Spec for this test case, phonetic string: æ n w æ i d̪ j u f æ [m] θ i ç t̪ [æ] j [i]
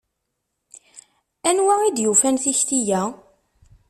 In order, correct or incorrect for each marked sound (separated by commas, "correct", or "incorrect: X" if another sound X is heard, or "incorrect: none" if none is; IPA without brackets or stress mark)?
incorrect: n, incorrect: i, incorrect: æ